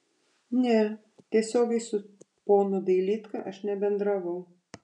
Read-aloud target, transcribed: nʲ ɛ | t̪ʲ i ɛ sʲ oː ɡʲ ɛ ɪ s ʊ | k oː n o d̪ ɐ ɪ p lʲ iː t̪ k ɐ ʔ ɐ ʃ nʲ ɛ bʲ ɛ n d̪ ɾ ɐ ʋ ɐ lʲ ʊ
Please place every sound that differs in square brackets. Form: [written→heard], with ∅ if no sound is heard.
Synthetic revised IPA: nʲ ɛ | t̪ʲ i ɛ sʲ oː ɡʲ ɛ ɪ s ʊ | [k→p] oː n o d̪ ɐ ɪ [p→∅] lʲ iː t̪ k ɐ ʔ ɐ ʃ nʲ ɛ bʲ ɛ n d̪ ɾ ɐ ʋ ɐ [lʲ→∅] ʊ